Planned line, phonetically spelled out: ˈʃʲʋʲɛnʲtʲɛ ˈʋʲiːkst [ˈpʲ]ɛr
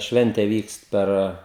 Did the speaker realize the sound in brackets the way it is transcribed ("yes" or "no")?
yes